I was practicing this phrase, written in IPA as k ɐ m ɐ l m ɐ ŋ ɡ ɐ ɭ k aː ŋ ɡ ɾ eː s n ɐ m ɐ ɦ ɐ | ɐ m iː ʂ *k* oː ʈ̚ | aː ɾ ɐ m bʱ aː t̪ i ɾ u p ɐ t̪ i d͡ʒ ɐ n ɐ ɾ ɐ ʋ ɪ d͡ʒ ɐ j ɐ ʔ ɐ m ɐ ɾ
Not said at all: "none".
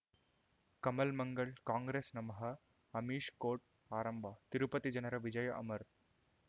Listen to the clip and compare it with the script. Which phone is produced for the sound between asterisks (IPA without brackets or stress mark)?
k